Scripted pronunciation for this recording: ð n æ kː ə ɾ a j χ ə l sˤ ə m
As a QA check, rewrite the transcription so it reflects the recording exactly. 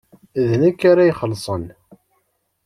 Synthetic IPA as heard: ð n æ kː a ɾ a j χ ə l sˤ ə n